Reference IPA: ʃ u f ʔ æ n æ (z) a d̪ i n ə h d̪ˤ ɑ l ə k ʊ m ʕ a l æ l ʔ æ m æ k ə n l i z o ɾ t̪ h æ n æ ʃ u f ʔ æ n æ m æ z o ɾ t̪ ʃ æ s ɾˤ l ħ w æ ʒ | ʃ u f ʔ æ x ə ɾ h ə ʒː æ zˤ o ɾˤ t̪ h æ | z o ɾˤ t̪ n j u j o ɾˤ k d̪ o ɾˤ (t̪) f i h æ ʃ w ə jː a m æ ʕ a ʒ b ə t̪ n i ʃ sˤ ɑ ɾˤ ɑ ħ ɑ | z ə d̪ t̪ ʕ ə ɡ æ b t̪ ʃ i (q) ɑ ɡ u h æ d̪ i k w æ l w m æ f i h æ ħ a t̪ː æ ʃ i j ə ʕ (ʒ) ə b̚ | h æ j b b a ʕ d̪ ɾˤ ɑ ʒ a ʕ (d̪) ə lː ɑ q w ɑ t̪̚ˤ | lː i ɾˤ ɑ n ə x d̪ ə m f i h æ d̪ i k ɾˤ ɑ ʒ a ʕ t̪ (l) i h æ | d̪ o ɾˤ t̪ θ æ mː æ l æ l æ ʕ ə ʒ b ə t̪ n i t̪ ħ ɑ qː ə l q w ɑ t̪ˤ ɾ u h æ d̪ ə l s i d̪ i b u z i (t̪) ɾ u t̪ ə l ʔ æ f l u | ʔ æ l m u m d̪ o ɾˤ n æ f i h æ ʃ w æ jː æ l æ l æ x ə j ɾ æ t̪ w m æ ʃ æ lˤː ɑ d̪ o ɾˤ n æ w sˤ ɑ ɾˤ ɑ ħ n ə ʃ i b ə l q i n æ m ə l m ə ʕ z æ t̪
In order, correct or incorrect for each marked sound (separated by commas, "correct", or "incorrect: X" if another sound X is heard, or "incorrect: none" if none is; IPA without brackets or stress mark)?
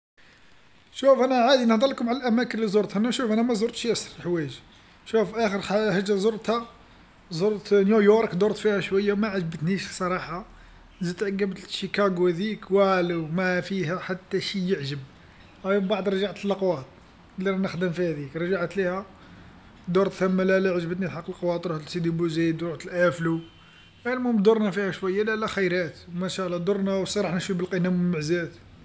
incorrect: ʕ, correct, incorrect: k, correct, incorrect: t̪, correct, incorrect: d̪